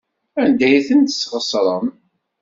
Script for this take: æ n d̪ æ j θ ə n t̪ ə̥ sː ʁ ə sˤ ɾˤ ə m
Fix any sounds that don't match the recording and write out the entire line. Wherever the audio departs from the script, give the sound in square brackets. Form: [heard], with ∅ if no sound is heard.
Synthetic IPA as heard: æ n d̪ æ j θ ə n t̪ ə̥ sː ʁ ə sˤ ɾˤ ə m